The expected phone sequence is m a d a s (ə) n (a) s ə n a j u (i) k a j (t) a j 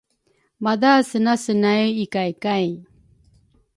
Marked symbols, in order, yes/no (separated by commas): yes, yes, yes, no